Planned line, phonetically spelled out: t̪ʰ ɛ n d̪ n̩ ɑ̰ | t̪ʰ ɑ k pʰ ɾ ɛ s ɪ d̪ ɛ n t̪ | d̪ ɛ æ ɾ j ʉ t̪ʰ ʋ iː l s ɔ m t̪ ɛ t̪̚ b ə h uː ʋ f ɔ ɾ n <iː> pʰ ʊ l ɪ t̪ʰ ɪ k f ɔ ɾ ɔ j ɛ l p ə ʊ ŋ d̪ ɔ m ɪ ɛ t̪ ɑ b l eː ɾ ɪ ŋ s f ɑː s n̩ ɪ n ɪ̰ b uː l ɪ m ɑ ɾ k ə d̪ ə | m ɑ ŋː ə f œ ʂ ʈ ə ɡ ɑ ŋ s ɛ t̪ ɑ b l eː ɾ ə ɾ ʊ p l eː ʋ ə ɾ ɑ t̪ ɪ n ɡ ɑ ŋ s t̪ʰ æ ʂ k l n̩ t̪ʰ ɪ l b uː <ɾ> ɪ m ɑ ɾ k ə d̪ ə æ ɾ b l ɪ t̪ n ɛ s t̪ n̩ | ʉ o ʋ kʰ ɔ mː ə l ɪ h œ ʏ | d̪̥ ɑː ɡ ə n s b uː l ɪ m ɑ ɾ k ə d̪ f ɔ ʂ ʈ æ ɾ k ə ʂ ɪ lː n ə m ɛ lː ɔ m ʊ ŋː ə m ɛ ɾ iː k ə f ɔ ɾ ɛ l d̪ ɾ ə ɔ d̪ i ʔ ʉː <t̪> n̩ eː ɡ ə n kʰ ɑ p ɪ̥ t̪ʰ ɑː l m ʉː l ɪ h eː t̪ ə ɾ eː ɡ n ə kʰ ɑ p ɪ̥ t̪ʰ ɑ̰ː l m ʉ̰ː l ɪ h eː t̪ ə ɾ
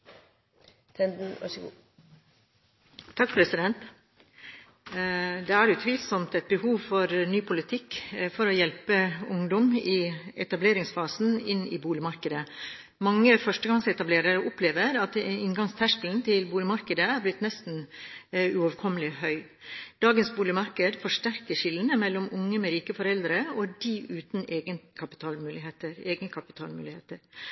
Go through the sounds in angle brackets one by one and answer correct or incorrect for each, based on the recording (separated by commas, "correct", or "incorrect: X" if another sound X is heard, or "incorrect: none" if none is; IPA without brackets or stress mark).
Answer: incorrect: yː, incorrect: l, correct